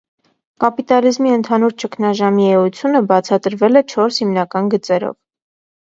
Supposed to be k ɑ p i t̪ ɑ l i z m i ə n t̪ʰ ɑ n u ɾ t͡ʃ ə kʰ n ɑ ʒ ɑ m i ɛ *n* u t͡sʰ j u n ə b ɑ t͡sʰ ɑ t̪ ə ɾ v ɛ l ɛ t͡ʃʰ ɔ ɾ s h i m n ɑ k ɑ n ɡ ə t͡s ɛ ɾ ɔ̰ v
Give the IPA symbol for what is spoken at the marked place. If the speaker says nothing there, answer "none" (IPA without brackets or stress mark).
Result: none